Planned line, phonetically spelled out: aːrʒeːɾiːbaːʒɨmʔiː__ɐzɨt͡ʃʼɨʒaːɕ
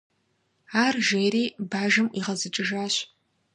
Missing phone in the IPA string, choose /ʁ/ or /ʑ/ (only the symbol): ʁ